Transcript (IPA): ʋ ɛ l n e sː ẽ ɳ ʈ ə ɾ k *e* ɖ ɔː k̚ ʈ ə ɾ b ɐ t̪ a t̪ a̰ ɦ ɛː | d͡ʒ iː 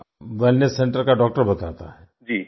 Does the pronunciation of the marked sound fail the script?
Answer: yes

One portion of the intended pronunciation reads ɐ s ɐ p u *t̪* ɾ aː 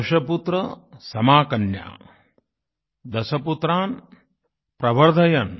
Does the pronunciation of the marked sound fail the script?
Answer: no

